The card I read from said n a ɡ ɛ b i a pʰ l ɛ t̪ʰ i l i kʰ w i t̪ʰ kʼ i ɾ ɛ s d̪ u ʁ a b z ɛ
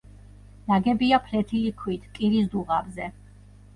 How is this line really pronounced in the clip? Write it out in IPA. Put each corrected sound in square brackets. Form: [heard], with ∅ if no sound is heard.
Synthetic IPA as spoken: n a ɡ ɛ b i a pʰ l ɛ t̪ʰ i l i kʰ w i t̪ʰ kʼ i ɾ [i] s d̪ u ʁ a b z ɛ